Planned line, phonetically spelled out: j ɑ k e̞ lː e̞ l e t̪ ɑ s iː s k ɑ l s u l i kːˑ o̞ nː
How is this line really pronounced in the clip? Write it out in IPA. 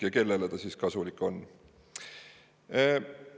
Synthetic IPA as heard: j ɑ k e̞ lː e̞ l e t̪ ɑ s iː s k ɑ s u l i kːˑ o̞ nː